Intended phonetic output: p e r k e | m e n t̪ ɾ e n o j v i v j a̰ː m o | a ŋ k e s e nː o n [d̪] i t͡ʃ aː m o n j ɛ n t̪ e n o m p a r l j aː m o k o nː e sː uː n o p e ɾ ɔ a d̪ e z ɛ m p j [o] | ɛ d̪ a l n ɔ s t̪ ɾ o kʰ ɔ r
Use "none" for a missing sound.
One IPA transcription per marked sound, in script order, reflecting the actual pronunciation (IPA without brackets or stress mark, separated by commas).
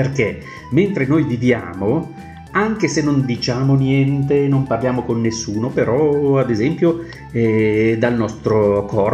d̪, o